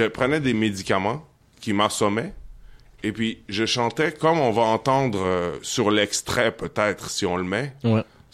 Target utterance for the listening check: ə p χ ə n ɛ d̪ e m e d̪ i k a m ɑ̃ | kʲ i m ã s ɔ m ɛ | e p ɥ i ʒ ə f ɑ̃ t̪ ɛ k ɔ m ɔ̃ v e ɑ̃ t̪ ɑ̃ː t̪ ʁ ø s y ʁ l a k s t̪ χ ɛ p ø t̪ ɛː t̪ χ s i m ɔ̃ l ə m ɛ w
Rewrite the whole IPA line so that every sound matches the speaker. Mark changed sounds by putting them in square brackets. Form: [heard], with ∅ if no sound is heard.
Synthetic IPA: ə p χ ə n ɛ d̪ e m e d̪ i k a m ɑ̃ | kʲ i m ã s ɔ m ɛ | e p ɥ i ʒ ə [ʃ] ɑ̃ t̪ ɛ k ɔ m ɔ̃ v [a] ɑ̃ t̪ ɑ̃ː [d̪] ʁ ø s y ʁ l [ɛ] k s t̪ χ ɛ p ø t̪ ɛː t̪ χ s i [∅] ɔ̃ l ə m ɛ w